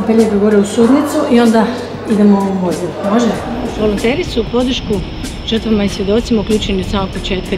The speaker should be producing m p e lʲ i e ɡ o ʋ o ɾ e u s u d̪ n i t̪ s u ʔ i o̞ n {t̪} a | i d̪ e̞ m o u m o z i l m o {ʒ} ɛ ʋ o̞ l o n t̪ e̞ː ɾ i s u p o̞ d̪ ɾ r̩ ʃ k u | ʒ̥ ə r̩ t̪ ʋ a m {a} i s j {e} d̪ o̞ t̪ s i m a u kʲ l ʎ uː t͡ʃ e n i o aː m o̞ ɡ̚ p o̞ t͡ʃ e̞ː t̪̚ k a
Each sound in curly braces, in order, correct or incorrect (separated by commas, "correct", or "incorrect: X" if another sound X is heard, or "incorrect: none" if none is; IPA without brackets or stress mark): incorrect: d̪, correct, correct, correct